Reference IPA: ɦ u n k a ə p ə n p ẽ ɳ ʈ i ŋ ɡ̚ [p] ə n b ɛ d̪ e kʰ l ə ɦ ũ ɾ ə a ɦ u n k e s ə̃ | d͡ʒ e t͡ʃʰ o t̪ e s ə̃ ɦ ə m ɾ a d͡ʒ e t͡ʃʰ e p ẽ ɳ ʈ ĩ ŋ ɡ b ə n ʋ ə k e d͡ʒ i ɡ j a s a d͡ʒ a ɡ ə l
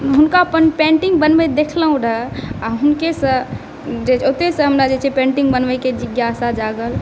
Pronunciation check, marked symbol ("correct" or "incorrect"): incorrect